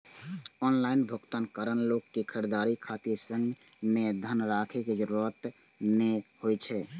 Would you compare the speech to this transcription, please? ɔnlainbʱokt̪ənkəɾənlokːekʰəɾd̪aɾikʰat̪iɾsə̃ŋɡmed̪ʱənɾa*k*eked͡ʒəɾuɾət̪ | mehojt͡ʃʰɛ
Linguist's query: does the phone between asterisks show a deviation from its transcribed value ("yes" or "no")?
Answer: yes